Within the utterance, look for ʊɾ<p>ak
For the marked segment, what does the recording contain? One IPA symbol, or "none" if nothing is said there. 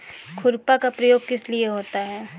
p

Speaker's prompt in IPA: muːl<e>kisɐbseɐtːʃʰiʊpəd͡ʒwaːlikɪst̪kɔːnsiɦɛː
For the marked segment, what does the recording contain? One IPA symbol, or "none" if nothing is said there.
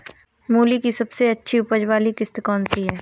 i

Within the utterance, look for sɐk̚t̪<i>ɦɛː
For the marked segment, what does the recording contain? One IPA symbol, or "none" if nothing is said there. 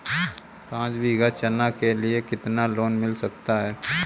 a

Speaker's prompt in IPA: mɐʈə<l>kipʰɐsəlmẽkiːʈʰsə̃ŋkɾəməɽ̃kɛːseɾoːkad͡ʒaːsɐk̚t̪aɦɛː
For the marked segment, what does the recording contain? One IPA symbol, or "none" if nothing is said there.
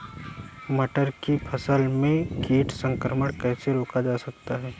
ɾ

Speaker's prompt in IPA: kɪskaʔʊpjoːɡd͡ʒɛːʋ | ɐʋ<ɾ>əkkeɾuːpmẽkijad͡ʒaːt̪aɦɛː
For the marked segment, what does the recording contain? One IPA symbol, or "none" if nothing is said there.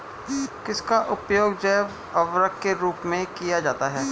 ɾ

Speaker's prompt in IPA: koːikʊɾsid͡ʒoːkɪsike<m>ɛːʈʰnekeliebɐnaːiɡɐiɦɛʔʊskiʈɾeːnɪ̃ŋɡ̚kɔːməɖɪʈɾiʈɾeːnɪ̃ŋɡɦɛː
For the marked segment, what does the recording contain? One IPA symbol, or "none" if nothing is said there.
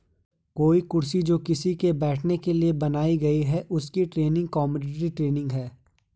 b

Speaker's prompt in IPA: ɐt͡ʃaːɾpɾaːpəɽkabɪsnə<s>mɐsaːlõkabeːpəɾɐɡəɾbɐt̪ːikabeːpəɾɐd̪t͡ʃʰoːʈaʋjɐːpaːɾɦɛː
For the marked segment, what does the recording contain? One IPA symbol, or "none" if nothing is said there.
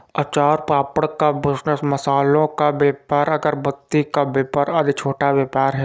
s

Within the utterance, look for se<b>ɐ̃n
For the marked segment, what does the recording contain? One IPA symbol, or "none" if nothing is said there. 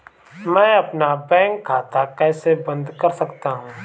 b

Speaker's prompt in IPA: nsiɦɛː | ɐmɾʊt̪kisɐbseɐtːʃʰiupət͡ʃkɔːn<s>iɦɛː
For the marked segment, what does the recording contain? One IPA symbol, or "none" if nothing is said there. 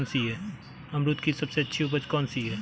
s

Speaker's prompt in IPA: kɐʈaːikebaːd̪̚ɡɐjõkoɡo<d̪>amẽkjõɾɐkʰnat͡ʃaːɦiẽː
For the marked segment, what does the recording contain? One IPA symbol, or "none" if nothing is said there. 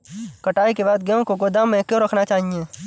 d̪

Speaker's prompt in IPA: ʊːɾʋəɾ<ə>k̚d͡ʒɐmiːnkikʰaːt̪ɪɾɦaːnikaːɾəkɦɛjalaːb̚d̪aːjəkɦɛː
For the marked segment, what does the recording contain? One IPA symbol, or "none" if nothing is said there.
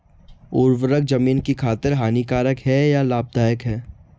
ə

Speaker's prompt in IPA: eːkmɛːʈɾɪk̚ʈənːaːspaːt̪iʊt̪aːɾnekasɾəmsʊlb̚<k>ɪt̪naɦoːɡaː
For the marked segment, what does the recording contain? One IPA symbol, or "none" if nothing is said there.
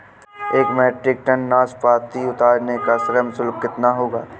k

